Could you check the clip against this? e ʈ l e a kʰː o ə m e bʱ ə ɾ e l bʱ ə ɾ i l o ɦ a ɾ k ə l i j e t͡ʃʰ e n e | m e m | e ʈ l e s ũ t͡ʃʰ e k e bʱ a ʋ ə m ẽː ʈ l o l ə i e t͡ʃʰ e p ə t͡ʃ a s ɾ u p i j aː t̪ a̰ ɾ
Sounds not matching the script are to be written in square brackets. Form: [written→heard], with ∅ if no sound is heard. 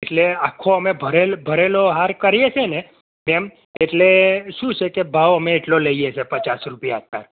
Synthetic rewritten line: e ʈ l e a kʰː o ə m e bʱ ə ɾ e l bʱ ə ɾ [i→e] l o ɦ a ɾ k ə [l→ɾ] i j e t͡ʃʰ e n e | m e m | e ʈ l e [s→ʃ] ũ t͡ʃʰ e k e bʱ a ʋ ə m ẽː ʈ l o l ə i e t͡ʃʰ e p ə t͡ʃ a s ɾ u p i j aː t̪ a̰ ɾ